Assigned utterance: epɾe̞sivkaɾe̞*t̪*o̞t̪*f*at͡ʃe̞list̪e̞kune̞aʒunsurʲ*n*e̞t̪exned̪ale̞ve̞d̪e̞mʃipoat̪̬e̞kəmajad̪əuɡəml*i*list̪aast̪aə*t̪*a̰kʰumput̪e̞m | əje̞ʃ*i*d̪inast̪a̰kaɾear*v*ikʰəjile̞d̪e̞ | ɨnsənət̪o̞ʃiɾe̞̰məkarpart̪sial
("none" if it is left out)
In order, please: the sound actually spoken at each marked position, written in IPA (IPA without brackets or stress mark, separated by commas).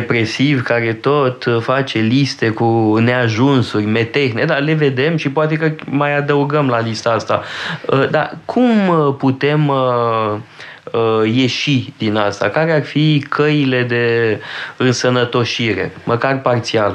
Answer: t̪, f, m, a, d̪, i, f